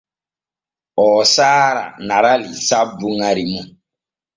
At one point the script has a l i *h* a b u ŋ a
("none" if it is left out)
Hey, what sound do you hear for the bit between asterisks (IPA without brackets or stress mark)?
s